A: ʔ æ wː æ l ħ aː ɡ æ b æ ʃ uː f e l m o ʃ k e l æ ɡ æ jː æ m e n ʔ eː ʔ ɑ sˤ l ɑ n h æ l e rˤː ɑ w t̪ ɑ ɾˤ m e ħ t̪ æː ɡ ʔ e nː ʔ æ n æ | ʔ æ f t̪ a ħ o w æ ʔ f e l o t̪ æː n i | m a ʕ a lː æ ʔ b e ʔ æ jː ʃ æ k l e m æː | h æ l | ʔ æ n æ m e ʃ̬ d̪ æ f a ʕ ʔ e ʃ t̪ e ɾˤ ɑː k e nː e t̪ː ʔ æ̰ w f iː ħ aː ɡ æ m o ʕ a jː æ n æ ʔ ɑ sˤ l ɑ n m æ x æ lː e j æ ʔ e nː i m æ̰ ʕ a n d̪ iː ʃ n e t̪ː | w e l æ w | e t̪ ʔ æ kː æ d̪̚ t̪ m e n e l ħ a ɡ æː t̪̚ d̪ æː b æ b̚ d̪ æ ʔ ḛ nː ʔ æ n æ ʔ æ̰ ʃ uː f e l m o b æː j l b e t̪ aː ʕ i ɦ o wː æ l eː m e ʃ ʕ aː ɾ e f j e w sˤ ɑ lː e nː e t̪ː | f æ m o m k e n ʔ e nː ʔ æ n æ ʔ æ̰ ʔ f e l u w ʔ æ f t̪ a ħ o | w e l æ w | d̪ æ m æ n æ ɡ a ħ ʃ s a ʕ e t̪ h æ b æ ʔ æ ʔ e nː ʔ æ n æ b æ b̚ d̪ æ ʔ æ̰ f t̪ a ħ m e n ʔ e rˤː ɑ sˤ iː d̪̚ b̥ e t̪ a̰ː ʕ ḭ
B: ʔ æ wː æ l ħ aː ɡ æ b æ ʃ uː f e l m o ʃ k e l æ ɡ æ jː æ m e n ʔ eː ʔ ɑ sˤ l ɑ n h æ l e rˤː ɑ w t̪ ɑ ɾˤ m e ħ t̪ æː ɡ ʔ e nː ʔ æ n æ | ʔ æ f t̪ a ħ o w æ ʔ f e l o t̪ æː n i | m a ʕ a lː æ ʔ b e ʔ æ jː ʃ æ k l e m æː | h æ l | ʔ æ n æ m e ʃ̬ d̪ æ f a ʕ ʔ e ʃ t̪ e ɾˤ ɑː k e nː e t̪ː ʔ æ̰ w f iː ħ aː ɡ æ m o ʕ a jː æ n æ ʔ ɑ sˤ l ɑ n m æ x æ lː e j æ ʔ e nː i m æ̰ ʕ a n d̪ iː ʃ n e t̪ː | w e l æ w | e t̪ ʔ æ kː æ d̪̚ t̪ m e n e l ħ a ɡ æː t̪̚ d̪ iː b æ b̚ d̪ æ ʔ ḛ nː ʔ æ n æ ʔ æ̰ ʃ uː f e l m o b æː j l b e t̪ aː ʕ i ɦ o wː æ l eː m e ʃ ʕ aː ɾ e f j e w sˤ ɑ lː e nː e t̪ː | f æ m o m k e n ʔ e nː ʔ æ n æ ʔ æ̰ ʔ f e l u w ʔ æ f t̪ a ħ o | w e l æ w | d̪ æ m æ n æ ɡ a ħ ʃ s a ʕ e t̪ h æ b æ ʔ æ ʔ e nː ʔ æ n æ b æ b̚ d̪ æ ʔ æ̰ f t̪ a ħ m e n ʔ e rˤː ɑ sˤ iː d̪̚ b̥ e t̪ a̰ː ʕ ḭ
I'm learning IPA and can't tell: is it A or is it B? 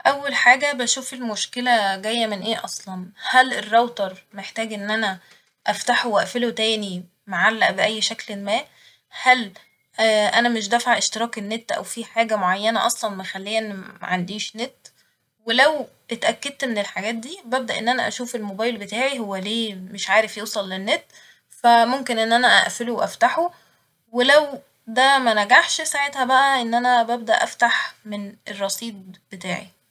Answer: B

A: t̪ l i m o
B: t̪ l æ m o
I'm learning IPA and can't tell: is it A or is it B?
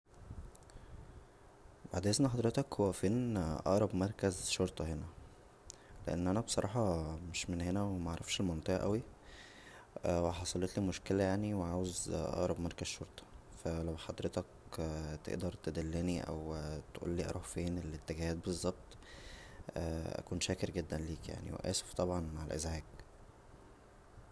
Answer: A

